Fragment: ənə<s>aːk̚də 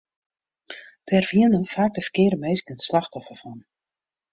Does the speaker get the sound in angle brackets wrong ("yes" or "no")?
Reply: yes